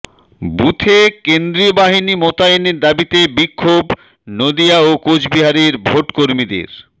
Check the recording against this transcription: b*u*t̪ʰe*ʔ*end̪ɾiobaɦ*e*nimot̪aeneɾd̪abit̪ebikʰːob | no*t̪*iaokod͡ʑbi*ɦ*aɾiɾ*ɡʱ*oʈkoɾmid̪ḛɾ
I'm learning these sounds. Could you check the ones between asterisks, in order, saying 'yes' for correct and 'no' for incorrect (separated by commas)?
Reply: yes, no, no, no, yes, no